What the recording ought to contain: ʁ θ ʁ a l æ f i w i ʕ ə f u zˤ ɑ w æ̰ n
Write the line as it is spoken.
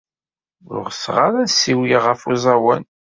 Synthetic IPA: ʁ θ ʁ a ɾ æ s i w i ʁ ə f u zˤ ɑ w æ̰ n